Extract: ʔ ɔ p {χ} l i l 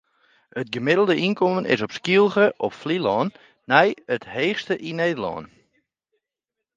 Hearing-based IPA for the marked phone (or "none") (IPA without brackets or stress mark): f